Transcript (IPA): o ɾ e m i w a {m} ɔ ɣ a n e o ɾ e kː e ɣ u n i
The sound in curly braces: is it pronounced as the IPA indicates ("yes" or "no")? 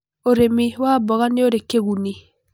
no